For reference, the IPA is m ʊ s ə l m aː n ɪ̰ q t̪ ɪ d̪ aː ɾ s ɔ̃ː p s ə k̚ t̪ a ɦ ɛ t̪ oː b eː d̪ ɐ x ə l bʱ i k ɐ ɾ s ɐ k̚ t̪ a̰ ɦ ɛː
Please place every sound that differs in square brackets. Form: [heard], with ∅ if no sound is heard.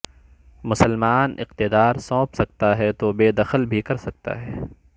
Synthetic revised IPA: m ʊ s ə l m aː n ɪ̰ q t̪ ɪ d̪ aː ɾ s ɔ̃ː p s [ɐ] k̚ t̪ a ɦ ɛ t̪ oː b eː d̪ ɐ x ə l bʱ i k ɐ ɾ s ɐ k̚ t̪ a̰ ɦ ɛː